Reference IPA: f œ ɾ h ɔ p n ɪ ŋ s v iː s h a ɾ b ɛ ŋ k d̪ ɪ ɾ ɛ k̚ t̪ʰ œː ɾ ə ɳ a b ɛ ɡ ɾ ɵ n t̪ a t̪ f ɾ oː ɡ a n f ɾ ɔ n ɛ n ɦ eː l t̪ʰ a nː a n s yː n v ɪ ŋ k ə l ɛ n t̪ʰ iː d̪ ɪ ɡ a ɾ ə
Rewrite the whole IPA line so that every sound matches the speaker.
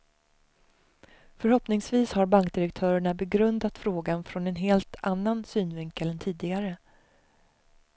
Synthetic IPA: f œ ɾ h ɔ p n ɪ ŋ s v iː s h a ɾ b a ŋ k d̪ ɪ ɾ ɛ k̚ t̪ʰ œː ɾ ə ɳ a b ɛ ɡ ɾ ɵ n d̪ a t̪ f ɾ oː ɡ a n f ɾ ɔ n ɛ n ɦ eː l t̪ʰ a nː a n s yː n v ɪ ŋ k ə l ɛ n t̪ʰ iː d̪ ɪ ɡ a ɾ ə